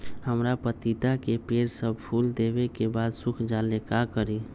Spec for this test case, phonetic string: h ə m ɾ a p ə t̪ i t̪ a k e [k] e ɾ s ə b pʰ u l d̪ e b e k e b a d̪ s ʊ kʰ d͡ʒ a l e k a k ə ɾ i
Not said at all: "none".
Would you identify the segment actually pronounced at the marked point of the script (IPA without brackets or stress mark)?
p